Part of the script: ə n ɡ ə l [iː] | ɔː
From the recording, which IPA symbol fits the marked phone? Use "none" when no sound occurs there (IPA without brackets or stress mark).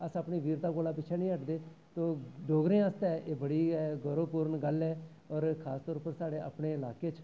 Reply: ɛː